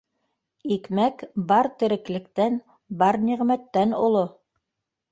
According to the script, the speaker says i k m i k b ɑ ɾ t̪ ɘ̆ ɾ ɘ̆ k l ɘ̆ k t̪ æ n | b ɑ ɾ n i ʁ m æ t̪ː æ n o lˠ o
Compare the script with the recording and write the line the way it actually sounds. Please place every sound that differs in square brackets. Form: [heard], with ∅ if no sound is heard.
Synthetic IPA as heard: i k m [æ] k b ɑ ɾ t̪ ɘ̆ ɾ ɘ̆ k l ɘ̆ k t̪ æ n | b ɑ ɾ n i ʁ m æ t̪ː æ n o lˠ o